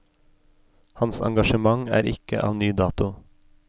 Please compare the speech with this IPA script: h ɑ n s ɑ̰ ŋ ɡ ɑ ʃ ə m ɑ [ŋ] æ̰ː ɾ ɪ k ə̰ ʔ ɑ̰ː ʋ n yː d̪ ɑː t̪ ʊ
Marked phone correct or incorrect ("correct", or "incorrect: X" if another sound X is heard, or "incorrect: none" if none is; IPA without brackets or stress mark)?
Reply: correct